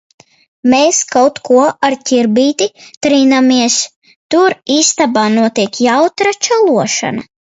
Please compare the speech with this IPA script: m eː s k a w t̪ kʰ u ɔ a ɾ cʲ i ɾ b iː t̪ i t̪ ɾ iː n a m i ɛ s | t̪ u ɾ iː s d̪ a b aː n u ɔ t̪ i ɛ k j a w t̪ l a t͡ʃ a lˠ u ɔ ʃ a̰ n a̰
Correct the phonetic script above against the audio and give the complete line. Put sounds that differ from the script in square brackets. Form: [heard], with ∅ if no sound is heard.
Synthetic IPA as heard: m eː s k a w t̪ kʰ u ɔ a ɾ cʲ i ɾ b iː t̪ i t̪ ɾ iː n a m i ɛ s | t̪ u ɾ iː s [t̪] a b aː n u ɔ t̪ i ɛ k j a w t̪ [ɾ] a t͡ʃ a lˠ u ɔ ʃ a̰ n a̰